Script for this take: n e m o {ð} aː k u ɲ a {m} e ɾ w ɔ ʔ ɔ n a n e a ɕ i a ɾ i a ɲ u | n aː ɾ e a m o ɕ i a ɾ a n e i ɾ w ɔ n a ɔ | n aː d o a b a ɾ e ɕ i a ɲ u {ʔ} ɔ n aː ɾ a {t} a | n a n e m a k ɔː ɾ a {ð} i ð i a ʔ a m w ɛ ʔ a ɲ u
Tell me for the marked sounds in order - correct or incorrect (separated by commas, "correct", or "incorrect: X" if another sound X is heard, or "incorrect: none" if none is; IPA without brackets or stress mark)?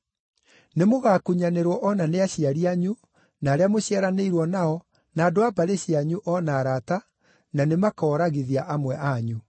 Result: incorrect: ɣ, incorrect: n, correct, correct, incorrect: ɣ